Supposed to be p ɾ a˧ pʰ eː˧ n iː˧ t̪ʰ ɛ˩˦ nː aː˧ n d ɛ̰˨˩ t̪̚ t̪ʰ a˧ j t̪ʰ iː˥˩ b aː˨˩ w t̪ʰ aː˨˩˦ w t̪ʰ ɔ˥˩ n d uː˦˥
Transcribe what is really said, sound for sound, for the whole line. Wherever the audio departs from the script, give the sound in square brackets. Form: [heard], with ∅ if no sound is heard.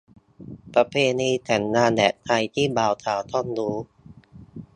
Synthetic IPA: p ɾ a˧ pʰ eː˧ n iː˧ t̪ʰ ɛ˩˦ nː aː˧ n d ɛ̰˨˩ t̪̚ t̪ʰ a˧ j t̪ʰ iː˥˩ b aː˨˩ w t̪ʰ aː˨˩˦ w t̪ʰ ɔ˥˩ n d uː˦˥